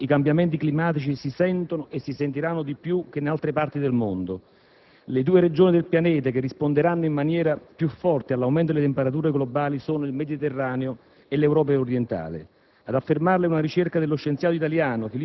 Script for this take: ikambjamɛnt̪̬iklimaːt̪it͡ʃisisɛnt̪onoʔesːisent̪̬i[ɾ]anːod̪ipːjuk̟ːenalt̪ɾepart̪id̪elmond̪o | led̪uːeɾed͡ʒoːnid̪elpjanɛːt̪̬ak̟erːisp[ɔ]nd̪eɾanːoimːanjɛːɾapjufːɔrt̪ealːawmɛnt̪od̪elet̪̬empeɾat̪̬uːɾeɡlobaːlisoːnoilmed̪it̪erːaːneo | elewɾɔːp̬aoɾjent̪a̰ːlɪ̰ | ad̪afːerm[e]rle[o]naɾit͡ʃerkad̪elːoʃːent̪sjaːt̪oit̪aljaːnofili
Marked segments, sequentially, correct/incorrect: correct, incorrect, incorrect, incorrect

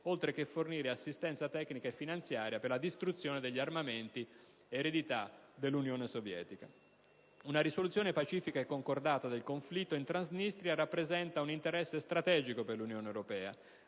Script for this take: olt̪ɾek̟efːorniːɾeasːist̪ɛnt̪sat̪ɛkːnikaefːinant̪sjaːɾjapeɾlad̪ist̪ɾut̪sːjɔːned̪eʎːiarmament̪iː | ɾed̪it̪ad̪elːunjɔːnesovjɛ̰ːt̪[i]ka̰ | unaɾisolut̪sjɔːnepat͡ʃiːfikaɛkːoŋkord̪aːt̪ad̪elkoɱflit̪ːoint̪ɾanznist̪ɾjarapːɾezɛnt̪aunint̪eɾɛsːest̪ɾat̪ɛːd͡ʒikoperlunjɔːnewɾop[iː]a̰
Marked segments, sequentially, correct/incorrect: correct, incorrect

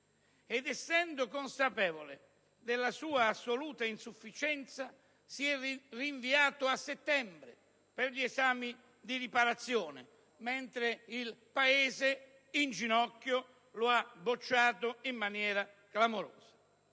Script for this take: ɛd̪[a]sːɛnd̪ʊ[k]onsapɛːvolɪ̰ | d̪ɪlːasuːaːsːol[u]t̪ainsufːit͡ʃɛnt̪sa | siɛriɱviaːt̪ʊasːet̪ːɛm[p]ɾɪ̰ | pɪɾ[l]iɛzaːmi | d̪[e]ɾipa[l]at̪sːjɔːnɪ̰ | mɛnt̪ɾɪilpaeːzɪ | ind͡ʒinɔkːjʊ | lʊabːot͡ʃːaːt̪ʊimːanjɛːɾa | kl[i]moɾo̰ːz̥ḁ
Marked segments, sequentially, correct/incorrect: incorrect, correct, incorrect, incorrect, incorrect, incorrect, incorrect, incorrect

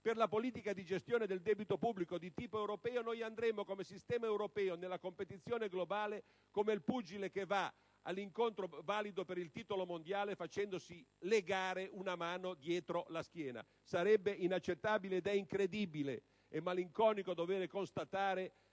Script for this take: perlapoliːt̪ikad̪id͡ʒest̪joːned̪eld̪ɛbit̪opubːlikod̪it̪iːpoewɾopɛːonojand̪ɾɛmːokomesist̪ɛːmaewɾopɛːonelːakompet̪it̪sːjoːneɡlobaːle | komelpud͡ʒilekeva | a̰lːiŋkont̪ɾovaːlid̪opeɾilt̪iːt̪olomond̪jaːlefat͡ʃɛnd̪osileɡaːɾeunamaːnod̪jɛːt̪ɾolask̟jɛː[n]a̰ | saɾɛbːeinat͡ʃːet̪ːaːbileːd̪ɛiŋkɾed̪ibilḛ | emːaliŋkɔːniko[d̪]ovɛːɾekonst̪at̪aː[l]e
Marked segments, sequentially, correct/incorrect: correct, correct, incorrect

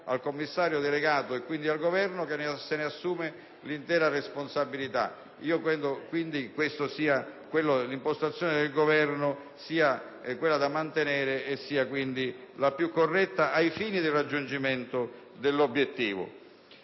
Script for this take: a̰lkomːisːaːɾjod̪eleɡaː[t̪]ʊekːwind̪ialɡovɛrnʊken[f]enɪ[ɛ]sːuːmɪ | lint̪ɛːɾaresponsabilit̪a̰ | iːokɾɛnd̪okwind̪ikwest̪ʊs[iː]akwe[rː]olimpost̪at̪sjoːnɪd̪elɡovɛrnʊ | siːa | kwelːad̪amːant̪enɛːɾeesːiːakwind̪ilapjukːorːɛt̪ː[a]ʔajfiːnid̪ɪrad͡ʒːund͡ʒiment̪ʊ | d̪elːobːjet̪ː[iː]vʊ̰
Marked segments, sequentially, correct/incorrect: correct, incorrect, incorrect, correct, incorrect, correct, correct

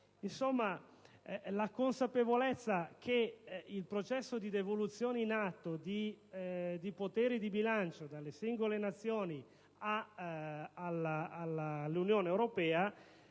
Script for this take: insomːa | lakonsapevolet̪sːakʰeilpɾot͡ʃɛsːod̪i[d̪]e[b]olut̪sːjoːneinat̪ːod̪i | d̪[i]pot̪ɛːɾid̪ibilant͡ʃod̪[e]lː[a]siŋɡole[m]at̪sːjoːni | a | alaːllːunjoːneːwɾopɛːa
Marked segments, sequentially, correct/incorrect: correct, incorrect, correct, incorrect, incorrect, incorrect

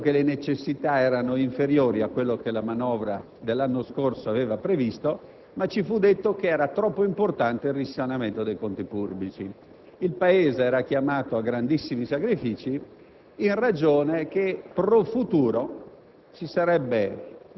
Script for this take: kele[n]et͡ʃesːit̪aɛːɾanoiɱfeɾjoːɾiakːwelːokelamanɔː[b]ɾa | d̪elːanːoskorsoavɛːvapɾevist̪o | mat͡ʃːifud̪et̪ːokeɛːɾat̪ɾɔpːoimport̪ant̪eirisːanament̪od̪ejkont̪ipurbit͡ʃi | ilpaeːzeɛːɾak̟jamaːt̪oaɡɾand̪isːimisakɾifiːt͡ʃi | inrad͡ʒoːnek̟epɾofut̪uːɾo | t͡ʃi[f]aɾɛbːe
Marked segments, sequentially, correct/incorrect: correct, incorrect, incorrect

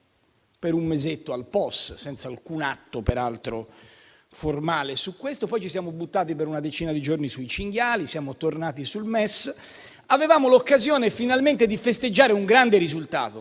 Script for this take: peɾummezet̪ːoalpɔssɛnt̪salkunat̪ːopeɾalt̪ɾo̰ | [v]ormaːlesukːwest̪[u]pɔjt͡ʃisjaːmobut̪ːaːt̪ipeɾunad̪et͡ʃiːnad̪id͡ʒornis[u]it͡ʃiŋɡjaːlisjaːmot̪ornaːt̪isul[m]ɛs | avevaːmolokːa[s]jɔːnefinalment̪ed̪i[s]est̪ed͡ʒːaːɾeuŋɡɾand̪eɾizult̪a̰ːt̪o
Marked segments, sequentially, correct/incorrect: incorrect, incorrect, correct, correct, incorrect, incorrect

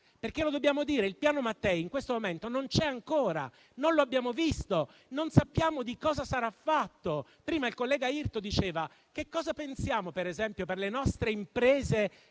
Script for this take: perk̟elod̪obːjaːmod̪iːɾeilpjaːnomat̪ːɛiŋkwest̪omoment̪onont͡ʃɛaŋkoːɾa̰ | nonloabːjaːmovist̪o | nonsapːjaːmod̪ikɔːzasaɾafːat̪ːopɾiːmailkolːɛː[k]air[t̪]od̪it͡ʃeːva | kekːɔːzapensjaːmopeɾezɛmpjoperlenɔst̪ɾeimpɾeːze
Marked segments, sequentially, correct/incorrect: incorrect, correct

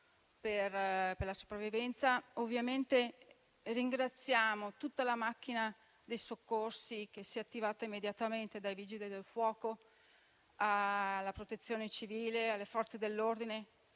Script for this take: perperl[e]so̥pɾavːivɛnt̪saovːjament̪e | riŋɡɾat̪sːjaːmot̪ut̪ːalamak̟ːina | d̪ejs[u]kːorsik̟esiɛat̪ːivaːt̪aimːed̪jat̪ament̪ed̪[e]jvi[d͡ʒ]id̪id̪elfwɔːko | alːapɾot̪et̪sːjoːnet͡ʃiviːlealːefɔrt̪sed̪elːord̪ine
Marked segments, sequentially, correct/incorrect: incorrect, incorrect, incorrect, correct

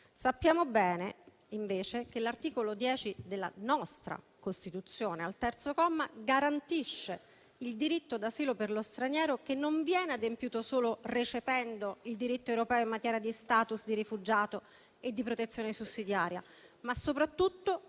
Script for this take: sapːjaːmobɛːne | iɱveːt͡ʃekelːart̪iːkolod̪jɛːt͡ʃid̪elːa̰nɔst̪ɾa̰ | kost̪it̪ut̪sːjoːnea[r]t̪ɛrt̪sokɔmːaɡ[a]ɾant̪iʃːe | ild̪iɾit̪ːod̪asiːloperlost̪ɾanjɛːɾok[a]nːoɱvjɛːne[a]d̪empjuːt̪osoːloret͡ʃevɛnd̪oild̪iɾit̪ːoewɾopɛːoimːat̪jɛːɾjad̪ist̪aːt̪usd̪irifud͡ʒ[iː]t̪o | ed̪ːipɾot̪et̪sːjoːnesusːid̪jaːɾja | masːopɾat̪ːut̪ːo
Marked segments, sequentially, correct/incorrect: incorrect, correct, incorrect, correct, incorrect

